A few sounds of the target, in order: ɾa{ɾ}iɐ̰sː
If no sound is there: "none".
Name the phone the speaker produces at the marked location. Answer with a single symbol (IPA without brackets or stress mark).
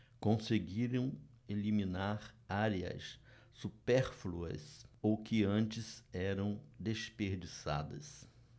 ɾ